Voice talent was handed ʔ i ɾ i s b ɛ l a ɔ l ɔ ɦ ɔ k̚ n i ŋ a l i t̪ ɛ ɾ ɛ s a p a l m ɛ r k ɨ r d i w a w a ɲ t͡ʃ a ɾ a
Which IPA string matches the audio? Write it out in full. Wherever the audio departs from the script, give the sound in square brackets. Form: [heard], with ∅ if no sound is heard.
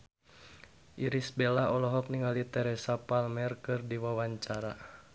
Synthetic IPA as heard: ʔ i ɾ i s b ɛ l a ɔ l ɔ ɦ ɔ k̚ n i ŋ a l i t̪ ɛ ɾ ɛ s a p a l m ɛ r k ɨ r d i w a w a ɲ t͡ʃ a ɾ a